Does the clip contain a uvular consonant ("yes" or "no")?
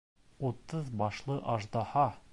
no